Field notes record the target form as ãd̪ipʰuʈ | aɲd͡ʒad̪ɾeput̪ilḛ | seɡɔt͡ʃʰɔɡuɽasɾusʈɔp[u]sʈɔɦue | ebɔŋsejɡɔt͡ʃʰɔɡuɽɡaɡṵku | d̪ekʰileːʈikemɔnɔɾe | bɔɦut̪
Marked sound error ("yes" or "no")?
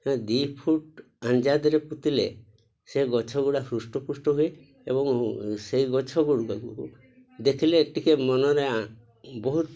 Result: no